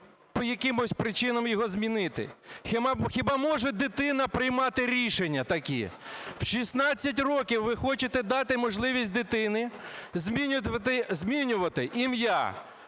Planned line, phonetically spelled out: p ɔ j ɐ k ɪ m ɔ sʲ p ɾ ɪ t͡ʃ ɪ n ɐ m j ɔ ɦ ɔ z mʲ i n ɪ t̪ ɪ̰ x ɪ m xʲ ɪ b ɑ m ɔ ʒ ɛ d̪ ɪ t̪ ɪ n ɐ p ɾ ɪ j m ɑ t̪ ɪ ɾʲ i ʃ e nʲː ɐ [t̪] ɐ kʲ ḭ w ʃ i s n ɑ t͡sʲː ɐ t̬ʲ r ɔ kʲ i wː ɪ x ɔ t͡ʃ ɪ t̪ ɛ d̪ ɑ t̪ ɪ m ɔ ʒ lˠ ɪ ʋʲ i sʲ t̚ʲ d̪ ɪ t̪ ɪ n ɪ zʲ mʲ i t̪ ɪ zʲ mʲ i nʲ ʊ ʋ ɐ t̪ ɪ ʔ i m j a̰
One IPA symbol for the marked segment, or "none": t̪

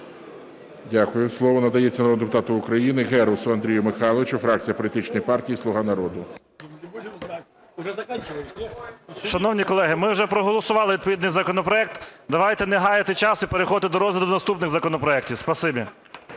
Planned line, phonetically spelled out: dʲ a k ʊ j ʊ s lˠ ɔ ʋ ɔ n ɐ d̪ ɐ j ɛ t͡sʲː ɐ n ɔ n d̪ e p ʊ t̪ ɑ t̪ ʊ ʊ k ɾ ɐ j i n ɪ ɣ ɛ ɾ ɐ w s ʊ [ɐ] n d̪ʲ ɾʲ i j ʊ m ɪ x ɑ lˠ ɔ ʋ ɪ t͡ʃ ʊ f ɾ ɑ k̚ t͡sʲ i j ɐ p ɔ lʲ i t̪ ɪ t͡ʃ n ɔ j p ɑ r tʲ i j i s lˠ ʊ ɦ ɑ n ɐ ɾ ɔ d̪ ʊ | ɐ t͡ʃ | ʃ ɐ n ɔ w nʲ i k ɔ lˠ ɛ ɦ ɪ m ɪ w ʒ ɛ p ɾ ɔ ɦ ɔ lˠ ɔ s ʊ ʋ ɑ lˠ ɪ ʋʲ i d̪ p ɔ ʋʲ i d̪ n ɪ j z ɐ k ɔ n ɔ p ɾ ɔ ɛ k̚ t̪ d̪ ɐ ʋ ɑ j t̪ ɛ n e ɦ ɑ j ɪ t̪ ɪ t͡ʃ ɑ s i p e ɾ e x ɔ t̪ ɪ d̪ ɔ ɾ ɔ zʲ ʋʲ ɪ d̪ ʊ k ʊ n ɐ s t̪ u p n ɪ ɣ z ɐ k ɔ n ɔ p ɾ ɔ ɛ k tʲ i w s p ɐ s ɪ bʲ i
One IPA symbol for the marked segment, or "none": ɐ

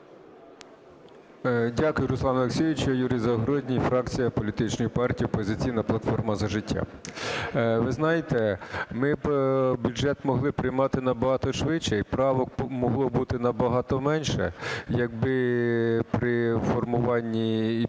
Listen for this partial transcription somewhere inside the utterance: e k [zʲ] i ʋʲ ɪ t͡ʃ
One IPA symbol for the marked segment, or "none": sʲ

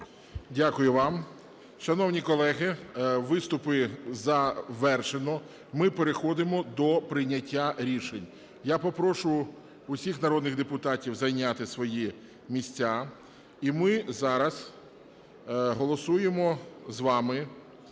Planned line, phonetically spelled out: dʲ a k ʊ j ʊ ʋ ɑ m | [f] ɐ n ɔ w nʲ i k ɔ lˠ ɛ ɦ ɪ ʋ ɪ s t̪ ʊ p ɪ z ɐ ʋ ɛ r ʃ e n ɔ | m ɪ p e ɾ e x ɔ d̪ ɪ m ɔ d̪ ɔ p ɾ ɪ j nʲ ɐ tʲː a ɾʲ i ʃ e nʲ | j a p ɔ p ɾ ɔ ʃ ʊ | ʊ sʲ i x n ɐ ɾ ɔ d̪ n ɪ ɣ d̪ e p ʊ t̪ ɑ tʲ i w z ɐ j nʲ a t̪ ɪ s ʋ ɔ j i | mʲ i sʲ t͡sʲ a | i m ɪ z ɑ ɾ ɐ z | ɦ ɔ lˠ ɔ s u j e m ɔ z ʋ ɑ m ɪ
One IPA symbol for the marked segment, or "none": ʃ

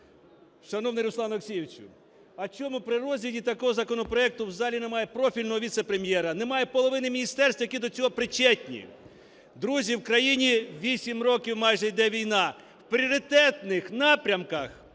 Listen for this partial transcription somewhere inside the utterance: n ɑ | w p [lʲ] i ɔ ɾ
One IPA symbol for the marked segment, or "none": ɾʲ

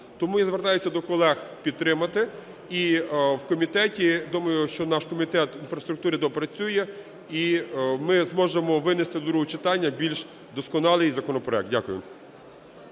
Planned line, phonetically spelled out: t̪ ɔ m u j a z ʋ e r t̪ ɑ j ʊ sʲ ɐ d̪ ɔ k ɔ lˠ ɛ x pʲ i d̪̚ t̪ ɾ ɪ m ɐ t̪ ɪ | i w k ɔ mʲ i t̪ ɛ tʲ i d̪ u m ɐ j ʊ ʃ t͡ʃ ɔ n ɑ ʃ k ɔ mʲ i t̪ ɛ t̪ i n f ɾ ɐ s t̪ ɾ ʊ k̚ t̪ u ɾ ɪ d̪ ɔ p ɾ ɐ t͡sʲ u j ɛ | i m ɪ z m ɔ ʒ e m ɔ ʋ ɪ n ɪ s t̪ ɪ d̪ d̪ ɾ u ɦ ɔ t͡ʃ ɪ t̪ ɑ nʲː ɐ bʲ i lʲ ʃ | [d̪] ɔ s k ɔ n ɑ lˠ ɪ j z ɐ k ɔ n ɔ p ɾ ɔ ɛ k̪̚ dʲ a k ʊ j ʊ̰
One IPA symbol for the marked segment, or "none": d̪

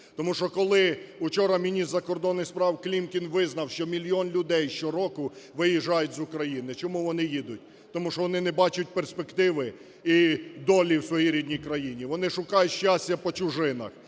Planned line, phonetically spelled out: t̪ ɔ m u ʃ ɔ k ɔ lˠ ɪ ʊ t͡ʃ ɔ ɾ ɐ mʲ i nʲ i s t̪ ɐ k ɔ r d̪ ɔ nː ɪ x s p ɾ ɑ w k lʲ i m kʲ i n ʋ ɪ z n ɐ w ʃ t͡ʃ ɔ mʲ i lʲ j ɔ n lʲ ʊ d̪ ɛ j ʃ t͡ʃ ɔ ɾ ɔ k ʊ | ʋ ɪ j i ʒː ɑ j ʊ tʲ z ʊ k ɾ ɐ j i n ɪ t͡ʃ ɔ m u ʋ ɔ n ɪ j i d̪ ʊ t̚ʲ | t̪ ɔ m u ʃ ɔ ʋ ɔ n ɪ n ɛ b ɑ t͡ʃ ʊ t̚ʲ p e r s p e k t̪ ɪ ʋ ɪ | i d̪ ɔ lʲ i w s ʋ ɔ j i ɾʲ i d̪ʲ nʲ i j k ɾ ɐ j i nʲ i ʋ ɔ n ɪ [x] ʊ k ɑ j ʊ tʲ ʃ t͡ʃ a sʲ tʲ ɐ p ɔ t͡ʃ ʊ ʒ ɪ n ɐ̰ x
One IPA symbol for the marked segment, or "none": ʃ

